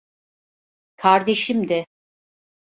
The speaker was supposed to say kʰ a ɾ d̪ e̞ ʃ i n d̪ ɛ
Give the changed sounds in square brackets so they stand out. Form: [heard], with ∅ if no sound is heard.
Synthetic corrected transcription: kʰ a ɾ d̪ e̞ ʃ i [m] d̪ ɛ